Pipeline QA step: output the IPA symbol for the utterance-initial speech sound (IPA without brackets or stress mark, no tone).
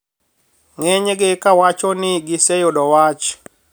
ŋ